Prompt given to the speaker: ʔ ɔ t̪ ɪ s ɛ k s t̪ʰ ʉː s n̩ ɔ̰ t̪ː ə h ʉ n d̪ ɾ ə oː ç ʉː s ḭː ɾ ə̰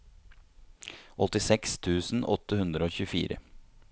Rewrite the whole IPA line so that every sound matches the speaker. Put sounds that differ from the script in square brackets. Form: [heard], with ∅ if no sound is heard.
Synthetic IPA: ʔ ɔ t̪ ɪ s ɛ k s t̪ʰ ʉː s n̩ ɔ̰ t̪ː ə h ʉ n d̪ ɾ ə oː ç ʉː [f] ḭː ɾ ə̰